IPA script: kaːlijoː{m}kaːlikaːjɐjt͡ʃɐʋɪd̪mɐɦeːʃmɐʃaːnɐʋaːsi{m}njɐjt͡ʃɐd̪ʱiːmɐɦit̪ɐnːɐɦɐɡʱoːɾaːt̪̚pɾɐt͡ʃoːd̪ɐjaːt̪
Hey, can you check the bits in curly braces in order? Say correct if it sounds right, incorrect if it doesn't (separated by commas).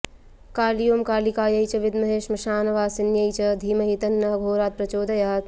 correct, incorrect